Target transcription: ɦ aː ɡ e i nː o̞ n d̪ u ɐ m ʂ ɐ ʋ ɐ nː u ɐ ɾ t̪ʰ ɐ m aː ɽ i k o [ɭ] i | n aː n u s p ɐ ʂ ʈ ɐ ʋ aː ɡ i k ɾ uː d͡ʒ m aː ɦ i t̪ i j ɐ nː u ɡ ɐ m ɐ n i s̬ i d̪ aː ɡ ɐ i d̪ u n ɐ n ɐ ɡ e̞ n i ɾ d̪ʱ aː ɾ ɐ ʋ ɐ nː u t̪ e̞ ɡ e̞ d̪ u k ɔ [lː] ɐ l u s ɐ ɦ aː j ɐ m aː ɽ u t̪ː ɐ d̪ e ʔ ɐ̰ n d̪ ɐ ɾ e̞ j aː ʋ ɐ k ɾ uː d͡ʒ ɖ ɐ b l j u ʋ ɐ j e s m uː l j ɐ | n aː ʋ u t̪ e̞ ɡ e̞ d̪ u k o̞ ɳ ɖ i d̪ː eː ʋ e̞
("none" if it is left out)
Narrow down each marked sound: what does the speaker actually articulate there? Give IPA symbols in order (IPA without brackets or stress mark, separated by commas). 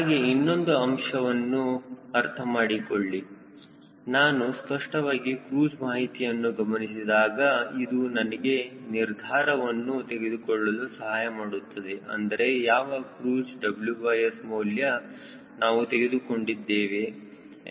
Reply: ɭː, ɭː